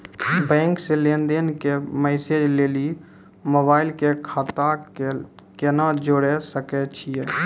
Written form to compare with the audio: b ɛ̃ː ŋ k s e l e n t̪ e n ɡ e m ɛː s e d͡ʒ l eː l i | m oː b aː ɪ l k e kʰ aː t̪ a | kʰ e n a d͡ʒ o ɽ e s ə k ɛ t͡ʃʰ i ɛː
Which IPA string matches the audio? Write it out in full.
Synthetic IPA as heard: b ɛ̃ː ŋ k s e l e n d̪ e n k e m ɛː s e d͡ʒ l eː l i | m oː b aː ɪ l k e kʰ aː t̪ a | k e n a d͡ʒ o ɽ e s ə k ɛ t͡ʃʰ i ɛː